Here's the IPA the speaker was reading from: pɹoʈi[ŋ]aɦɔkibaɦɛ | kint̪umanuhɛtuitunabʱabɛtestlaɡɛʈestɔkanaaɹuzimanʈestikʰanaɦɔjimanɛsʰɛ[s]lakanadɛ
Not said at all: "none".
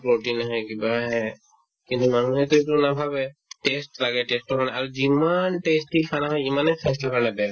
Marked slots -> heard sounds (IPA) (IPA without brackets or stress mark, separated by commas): n, s